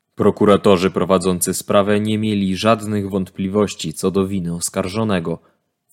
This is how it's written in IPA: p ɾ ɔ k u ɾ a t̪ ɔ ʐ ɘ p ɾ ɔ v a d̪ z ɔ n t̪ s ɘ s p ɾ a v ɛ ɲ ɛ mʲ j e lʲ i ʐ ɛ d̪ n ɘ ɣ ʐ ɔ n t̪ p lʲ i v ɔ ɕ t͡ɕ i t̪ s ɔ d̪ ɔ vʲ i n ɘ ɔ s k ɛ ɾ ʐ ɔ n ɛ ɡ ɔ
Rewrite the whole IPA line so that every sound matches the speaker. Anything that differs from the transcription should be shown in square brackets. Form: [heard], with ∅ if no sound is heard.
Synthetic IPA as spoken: p ɾ ɔ k u ɾ a t̪ ɔ ʐ ɘ p ɾ ɔ v a d̪ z ɔ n t̪ s ɘ s p ɾ a v ɛ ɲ ɛ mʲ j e lʲ i ʐ [a] d̪ n ɘ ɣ [v] ɔ n t̪ p lʲ i v ɔ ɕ t͡ɕ i t̪ s ɔ d̪ ɔ vʲ i n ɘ ɔ s k [a] ɾ ʐ ɔ n ɛ ɡ ɔ